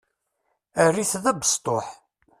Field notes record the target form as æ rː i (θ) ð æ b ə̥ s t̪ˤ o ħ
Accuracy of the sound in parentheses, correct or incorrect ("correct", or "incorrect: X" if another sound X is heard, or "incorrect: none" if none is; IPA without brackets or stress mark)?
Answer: correct